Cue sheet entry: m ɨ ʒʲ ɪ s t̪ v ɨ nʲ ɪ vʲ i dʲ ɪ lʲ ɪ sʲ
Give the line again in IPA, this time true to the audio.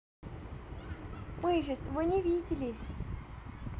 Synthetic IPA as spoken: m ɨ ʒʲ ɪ s t̪ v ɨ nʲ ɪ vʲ i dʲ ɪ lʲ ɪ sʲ